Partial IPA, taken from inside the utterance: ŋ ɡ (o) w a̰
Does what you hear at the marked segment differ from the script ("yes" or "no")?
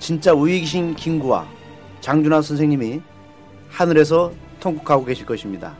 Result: yes